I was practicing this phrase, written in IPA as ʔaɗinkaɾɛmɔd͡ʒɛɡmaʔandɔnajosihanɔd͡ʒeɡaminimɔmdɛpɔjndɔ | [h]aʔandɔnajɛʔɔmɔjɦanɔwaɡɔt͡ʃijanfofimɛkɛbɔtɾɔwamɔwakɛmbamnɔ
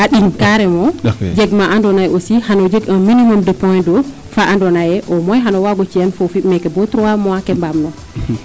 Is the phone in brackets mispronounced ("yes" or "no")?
yes